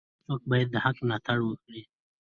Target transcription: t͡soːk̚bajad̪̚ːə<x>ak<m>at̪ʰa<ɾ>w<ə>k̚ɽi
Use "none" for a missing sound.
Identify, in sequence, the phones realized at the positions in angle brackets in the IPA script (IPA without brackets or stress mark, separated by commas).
h, n, ɽ, ə